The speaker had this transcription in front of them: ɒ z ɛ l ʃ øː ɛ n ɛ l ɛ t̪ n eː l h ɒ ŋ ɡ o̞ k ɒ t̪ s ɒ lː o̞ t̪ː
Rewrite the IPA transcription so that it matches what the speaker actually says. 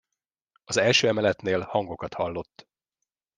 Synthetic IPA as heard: ɒ z ɛ l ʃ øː ɛ m ɛ l ɛ t̪ n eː l h ɒ ŋ ɡ o̞ k ɒ t̪ h ɒ lː o̞ t̪ː